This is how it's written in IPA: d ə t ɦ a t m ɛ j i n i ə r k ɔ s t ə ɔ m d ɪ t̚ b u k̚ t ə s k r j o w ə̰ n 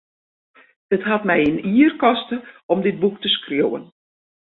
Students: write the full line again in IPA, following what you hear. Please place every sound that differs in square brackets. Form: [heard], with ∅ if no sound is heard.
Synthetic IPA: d ə t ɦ a t m ɛ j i n i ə r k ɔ s t ə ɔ m d ɪ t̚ b u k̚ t ə s k r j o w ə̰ n